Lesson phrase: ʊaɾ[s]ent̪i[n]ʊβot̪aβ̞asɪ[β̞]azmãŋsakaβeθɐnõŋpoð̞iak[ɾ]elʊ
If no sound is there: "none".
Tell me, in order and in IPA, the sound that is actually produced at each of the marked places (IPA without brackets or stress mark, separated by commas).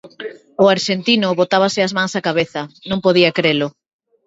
ʃ, n, none, ɾ